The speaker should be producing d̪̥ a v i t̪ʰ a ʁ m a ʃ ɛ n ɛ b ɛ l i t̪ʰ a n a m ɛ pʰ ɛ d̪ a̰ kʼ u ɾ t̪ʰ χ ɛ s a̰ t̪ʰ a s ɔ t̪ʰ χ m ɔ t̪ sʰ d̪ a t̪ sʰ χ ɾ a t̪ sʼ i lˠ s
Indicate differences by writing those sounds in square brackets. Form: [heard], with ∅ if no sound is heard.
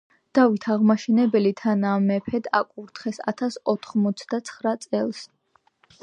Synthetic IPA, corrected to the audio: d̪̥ a v i t̪ʰ a ʁ m a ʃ ɛ n ɛ b ɛ l i t̪ʰ a n a m ɛ pʰ ɛ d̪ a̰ kʼ u ɾ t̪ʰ χ ɛ s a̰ t̪ʰ a s ɔ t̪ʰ χ m ɔ t̪ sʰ d̪ a t̪ sʰ χ ɾ a t̪ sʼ [ɛ] lˠ s